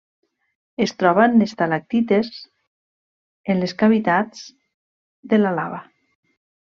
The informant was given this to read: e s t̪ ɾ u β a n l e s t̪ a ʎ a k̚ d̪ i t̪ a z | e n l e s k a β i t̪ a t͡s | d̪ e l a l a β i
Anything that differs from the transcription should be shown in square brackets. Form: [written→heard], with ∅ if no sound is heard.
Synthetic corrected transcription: e s t̪ ɾ [u→ɔ] β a n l e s t̪ a [ʎ→l] a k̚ [d̪→t̪] i t̪ [a→e] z | e n l e s k a β i t̪ a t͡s | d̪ e l a l a β [i→a]

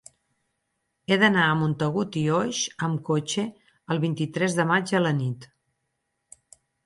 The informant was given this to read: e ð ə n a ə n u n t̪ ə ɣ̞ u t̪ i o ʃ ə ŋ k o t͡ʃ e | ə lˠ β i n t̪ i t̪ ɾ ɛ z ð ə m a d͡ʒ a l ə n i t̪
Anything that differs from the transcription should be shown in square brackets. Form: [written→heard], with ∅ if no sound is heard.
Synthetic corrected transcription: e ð ə n a ə [n→m] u n t̪ ə ɣ̞ u t̪ i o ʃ ə [ŋ→m] k o t͡ʃ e | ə lˠ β i n t̪ i t̪ ɾ ɛ z ð ə m a d͡ʒ [a→ə] l ə n i t̪

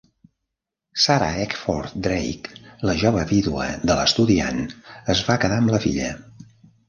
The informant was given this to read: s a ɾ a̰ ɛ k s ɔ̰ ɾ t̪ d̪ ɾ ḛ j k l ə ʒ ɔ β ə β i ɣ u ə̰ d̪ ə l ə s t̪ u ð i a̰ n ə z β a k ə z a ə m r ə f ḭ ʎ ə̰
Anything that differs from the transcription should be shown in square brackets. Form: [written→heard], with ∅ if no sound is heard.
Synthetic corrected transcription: s a ɾ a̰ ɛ k [s→f] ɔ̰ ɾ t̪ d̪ ɾ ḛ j k l ə ʒ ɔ β ə β i [ɣ→ð] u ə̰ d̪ ə l ə s t̪ u ð i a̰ n ə z β a k ə [z→ð] a ə m [r→l] ə f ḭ ʎ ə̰

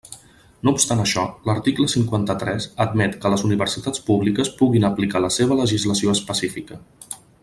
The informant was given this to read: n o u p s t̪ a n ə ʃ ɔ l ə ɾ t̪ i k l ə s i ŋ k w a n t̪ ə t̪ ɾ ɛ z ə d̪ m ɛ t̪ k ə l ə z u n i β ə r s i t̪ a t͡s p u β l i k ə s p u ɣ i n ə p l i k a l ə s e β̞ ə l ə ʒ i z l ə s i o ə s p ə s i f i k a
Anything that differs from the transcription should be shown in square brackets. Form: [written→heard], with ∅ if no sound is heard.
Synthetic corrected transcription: n o u p s t̪ a n ə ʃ ɔ l ə ɾ t̪ i k l ə s i ŋ k w a n t̪ ə t̪ ɾ ɛ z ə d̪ m ɛ t̪ k ə l ə z u n i β ə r s i t̪ a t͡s p u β l i k ə s p u ɣ i n ə p l i k a l ə s e β̞ ə l ə ʒ i z l ə s i o ə s p ə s i f i k [a→ə]

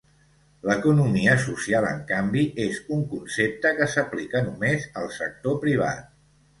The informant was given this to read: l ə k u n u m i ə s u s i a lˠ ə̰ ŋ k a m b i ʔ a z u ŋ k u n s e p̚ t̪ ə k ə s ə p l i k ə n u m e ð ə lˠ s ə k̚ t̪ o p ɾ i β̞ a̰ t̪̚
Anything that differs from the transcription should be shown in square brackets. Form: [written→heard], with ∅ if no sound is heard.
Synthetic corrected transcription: l ə k u n u m i ə s u s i a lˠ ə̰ ŋ k a m b i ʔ [a→e] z u ŋ k u n s e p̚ t̪ ə k ə s ə p l i k ə n u m e [ð→z] ə lˠ s ə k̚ t̪ o p ɾ i β̞ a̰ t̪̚

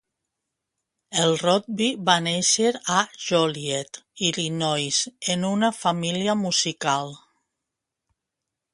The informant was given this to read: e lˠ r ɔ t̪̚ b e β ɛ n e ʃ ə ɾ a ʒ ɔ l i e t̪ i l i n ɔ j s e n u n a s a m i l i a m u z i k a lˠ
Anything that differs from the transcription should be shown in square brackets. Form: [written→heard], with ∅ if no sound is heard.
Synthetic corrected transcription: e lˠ r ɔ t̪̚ b [e→i] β [ɛ→a] n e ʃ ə ɾ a ʒ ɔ l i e t̪ i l i n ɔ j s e n u n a [s→f] a m i l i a m u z i k a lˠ

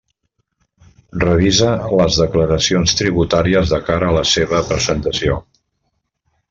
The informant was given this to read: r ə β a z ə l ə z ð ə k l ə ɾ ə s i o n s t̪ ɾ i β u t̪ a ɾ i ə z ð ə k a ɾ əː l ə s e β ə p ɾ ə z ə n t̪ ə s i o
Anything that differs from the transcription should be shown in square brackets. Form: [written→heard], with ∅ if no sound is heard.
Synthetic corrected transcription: r ə β [a→i] z ə l ə z ð ə k l ə ɾ ə s i o n s t̪ ɾ i β u t̪ a ɾ i ə z ð ə k a ɾ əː l ə s e β ə p ɾ ə z ə n t̪ ə s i o

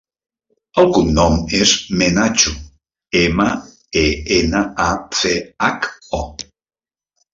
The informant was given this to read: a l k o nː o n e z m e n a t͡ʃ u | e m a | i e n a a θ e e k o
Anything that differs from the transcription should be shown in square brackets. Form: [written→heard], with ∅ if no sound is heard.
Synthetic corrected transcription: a l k [o→u] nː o [n→m] e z m e n a t͡ʃ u | e m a | [i→e] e n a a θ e [e→a] k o

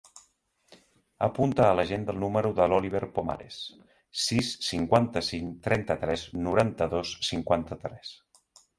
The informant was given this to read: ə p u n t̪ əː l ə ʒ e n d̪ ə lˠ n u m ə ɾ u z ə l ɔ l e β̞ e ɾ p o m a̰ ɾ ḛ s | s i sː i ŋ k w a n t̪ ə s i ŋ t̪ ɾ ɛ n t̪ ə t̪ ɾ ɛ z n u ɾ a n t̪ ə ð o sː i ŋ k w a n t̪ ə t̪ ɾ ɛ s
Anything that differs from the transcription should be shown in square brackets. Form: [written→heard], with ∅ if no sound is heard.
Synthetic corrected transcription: ə p u n t̪ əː l ə ʒ e n d̪ ə lˠ n u m ə ɾ u [z→ð] ə l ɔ l [e→i] β̞ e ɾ p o m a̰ ɾ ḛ s | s i sː i ŋ k w a n t̪ ə s i ŋ t̪ ɾ ɛ n t̪ ə t̪ ɾ ɛ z n u ɾ a n t̪ ə ð o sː i ŋ k w a n t̪ ə t̪ ɾ ɛ s

